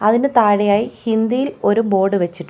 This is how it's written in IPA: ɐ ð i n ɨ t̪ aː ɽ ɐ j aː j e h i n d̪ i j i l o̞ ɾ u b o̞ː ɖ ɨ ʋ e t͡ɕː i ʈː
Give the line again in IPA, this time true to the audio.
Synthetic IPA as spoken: ɐ ð i n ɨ t̪ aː ɽ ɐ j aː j i h i n d̪ i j i l o̞ ɾ u b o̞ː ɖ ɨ ʋ e t͡ɕː i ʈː